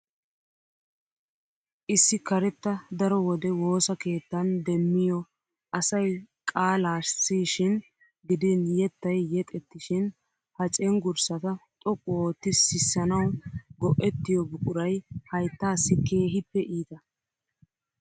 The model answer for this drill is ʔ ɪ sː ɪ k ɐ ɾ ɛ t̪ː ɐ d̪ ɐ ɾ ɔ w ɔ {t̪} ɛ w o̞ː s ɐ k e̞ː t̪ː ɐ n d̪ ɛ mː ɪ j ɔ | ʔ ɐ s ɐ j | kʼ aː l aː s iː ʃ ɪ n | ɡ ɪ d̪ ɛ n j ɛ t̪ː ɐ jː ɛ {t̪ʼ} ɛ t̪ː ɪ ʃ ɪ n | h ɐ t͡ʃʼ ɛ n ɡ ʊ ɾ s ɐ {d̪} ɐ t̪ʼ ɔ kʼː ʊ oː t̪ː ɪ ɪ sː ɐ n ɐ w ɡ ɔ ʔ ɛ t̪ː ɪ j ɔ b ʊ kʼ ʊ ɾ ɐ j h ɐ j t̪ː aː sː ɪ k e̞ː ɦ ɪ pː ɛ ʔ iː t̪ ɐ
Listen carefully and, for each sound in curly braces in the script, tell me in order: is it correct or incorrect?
incorrect, correct, incorrect

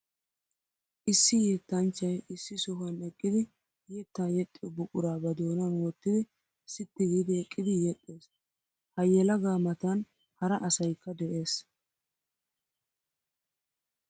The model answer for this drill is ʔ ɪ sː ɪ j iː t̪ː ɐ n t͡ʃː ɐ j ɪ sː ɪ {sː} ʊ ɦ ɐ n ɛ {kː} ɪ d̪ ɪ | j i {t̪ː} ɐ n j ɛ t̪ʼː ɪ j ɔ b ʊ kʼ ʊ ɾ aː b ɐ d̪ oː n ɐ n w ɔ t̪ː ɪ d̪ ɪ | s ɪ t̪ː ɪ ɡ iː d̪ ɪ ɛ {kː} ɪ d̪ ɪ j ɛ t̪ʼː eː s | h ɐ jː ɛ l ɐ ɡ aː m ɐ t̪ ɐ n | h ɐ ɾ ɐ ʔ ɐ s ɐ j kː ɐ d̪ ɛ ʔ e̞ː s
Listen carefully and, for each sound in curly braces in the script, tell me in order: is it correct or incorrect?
incorrect, incorrect, correct, incorrect

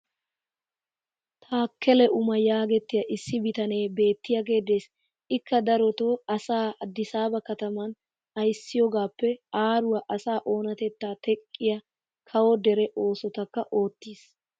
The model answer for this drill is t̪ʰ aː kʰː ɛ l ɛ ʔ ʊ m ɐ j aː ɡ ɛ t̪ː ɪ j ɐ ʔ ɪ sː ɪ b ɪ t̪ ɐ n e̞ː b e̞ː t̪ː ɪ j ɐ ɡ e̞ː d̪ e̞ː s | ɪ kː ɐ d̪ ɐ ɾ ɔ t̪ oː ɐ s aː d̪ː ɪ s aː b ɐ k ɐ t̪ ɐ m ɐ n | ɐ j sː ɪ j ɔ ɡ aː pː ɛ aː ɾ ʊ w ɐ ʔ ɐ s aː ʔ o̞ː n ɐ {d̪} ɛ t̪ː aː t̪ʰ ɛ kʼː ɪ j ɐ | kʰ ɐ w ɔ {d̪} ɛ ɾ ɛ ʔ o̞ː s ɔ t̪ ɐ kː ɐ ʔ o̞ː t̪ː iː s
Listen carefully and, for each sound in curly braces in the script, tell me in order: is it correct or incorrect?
incorrect, correct

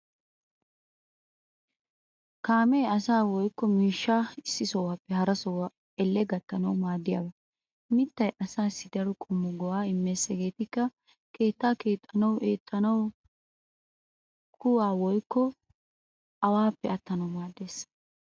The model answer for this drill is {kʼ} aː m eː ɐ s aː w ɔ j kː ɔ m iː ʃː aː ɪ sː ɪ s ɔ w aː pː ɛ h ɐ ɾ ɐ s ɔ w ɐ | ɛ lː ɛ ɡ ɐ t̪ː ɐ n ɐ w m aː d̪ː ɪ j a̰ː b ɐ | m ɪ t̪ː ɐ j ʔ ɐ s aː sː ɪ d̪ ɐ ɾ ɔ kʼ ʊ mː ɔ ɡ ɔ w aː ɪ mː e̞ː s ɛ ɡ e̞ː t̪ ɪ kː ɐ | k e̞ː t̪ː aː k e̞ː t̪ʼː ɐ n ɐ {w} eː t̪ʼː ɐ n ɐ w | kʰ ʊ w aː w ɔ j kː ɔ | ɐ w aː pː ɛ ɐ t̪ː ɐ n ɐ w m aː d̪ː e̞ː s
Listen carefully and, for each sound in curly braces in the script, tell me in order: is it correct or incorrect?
incorrect, correct

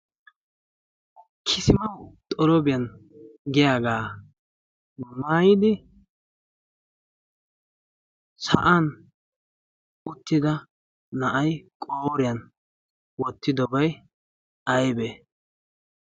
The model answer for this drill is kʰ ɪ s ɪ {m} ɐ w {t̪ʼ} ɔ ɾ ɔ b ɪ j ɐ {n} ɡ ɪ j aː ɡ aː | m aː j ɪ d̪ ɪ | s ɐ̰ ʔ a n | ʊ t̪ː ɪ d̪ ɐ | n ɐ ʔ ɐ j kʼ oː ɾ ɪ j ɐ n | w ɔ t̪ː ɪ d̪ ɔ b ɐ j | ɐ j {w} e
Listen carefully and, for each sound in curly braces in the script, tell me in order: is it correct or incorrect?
correct, correct, correct, incorrect

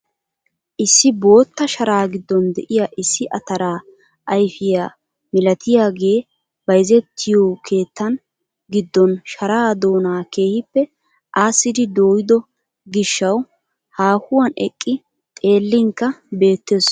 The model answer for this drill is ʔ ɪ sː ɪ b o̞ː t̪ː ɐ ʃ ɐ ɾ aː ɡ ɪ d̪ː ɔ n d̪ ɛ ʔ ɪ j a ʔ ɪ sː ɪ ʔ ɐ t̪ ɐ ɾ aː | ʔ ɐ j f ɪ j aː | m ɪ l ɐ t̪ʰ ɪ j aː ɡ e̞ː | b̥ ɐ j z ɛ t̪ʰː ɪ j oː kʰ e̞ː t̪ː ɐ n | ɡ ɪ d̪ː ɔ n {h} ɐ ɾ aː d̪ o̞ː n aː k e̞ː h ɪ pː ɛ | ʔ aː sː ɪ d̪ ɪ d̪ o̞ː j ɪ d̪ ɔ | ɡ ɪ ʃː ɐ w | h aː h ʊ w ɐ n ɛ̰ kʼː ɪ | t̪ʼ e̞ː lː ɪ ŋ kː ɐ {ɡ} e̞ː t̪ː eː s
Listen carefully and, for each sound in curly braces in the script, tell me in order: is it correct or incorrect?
incorrect, incorrect

